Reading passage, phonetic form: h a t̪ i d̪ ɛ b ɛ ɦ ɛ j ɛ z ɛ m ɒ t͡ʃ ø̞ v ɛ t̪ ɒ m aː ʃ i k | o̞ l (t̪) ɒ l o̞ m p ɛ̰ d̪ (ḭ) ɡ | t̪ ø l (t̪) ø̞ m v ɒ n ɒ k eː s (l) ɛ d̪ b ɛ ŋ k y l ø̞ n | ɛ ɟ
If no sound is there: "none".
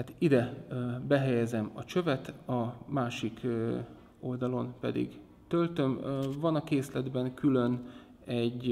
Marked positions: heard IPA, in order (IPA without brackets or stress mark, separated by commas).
d̪, ḭ, t̪, l